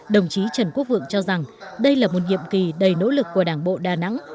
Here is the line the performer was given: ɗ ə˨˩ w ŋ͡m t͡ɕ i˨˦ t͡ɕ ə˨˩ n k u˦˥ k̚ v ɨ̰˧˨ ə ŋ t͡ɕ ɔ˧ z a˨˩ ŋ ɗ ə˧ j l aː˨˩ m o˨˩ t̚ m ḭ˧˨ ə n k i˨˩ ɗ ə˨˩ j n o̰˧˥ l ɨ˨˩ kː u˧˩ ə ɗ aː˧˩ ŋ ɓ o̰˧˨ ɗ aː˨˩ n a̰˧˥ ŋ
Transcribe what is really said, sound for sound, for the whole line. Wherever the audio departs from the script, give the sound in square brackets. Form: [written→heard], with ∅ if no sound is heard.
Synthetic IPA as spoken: ɗ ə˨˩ w ŋ͡m t͡ɕ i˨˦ t͡ɕ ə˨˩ n k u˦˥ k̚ v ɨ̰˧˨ ə ŋ t͡ɕ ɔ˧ z a˨˩ ŋ ɗ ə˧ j l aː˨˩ m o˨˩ t̚ [m→ŋ] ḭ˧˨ ə [n→m] k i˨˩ ɗ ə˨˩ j n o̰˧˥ l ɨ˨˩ kː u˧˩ ə ɗ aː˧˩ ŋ ɓ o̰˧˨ ɗ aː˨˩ n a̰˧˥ ŋ